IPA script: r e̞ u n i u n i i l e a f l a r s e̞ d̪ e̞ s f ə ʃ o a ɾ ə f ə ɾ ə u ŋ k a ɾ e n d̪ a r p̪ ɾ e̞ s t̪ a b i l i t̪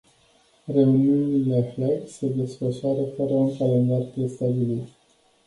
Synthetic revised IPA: r e̞ u n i u n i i l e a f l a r s e̞ d̪ e̞ s f ə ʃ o a ɾ ə f ə ɾ ə u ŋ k a l e n d̪ a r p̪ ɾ e̞ s t̪ a b i l i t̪